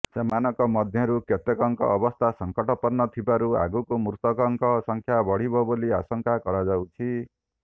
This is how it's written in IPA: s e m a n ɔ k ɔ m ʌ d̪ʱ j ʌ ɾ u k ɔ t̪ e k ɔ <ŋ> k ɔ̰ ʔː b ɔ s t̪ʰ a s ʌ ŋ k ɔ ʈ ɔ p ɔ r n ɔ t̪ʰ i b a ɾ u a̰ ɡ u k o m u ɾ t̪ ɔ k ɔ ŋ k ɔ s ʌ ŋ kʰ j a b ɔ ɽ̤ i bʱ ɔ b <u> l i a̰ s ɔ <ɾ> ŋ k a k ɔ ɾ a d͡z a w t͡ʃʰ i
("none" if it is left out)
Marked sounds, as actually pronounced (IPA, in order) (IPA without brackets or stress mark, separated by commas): ŋ, o, none